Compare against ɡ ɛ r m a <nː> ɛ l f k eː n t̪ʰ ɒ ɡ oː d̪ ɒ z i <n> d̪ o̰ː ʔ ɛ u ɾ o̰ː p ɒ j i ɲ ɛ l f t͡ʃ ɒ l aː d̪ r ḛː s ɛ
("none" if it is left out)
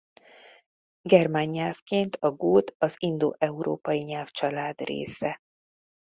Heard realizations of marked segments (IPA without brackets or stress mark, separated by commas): ɲː, n